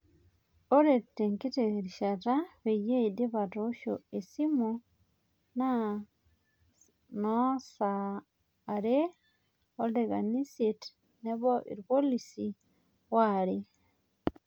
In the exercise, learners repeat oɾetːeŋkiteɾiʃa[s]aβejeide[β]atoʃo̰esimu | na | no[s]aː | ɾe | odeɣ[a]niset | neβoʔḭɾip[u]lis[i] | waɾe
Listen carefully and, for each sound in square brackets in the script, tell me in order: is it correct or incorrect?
incorrect, correct, correct, correct, incorrect, correct

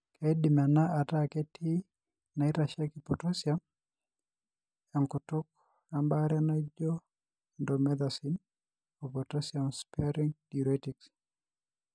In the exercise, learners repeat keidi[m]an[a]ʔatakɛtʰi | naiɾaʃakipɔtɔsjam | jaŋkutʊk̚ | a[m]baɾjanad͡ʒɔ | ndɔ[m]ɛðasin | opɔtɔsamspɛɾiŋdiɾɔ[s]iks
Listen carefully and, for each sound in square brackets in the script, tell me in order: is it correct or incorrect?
correct, correct, correct, correct, incorrect

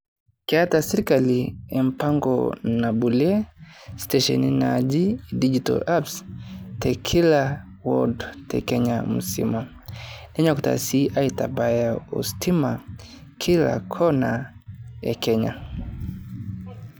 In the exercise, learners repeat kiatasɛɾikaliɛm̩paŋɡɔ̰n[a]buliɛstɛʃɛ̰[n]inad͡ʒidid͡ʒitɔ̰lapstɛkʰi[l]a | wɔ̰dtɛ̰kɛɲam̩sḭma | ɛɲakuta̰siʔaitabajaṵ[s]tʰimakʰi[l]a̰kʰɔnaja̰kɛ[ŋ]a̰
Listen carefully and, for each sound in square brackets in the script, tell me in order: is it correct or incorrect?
correct, correct, correct, correct, correct, incorrect

